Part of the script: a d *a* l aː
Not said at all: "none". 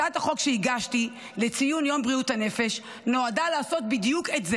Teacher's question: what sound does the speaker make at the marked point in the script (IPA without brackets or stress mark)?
a